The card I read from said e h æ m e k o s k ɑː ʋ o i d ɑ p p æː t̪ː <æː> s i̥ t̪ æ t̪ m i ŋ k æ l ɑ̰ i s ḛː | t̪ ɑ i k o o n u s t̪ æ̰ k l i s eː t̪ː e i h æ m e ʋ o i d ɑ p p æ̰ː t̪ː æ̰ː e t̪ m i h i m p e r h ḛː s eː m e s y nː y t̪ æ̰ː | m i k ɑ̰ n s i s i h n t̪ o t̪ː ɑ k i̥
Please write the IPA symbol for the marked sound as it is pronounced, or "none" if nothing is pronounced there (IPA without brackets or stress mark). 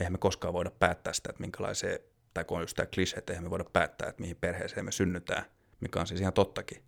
æː